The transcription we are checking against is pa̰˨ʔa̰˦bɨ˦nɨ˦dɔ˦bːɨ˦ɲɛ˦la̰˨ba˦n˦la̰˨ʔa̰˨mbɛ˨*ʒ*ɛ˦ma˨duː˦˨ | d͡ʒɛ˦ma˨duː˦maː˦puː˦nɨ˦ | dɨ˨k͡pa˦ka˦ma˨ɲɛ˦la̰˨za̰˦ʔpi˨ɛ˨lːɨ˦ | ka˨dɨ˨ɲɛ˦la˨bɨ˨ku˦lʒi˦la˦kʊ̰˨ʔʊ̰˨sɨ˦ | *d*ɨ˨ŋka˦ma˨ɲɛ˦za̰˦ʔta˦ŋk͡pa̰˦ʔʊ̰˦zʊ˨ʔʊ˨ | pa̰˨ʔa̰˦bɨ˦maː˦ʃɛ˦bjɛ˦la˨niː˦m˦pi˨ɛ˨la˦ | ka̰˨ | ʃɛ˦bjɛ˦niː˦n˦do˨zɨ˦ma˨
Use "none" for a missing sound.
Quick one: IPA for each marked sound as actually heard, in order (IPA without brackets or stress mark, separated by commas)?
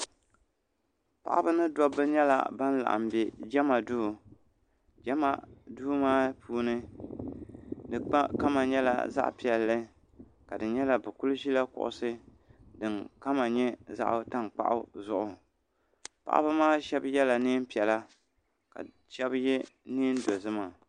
d͡ʒ, d